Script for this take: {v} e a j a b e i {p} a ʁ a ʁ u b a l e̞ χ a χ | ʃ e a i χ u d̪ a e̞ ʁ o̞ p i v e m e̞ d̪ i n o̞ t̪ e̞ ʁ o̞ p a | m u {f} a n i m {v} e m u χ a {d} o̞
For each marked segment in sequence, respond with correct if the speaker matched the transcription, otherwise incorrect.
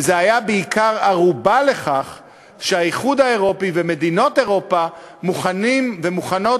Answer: incorrect: z, incorrect: k, incorrect: χ, correct, incorrect: n

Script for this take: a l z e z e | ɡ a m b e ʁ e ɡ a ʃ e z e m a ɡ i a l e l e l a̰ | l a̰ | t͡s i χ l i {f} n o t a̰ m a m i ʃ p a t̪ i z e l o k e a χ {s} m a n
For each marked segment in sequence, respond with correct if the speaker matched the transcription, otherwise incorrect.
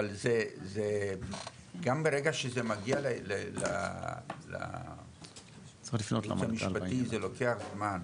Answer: correct, incorrect: z

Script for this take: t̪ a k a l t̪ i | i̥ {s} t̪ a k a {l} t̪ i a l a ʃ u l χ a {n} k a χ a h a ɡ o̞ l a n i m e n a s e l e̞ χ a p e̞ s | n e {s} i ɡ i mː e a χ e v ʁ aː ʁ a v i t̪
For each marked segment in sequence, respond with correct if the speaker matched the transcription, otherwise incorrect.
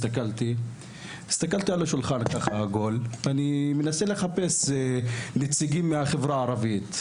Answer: correct, correct, correct, incorrect: t͡s

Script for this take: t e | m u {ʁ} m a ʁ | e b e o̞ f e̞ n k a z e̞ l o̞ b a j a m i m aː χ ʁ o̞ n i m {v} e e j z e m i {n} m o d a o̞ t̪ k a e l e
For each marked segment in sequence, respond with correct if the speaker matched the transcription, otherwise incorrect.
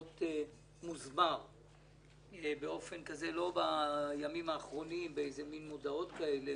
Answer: incorrect: z, incorrect: b, correct

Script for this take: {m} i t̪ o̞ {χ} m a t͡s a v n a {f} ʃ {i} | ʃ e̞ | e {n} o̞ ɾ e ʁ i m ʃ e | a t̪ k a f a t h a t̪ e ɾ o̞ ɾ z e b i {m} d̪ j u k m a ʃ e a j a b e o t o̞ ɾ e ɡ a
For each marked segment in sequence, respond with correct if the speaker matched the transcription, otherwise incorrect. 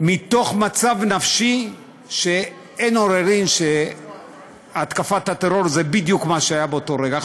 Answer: correct, correct, correct, correct, correct, incorrect: none

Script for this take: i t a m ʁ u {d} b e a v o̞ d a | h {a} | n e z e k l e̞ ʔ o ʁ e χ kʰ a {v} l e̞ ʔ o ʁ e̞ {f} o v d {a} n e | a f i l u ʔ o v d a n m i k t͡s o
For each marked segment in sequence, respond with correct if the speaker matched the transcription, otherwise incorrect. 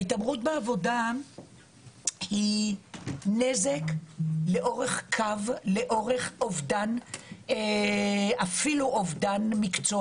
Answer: incorrect: t, incorrect: i, correct, incorrect: χ, correct

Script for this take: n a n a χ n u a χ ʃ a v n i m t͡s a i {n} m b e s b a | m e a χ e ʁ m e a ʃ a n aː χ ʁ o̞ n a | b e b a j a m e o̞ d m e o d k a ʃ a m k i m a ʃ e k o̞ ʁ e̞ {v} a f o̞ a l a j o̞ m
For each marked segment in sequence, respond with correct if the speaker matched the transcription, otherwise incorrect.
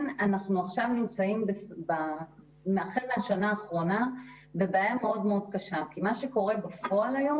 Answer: incorrect: none, incorrect: b

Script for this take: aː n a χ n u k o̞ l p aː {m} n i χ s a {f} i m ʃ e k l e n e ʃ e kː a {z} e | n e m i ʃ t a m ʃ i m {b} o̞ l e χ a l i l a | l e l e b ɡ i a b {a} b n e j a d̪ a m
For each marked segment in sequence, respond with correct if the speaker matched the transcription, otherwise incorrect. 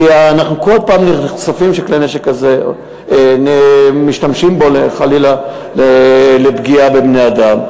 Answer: correct, correct, correct, correct, incorrect: e

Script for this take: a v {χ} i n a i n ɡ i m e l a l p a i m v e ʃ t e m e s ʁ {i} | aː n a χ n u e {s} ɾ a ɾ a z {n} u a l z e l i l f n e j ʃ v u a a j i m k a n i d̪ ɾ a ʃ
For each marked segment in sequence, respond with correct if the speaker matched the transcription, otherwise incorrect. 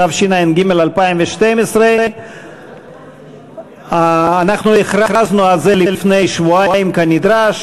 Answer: incorrect: ʃ, incorrect: e, incorrect: χ, correct

